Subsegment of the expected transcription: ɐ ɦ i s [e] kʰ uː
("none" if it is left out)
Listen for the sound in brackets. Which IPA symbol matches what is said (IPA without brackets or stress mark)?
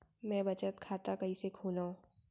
e